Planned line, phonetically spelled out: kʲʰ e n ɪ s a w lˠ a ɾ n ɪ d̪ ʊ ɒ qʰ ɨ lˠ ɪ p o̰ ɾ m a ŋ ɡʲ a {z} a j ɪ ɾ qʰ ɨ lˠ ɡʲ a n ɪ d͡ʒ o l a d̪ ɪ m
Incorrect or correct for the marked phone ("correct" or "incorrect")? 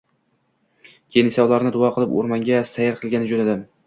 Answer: incorrect